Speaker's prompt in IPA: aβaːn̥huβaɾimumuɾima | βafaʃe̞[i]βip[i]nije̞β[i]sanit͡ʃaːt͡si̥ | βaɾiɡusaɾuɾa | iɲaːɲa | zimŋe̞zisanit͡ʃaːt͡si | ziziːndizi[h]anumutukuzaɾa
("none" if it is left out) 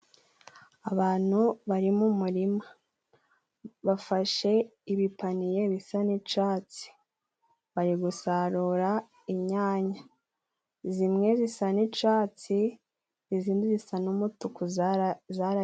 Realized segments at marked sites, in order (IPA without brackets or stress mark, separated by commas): i, a, i, s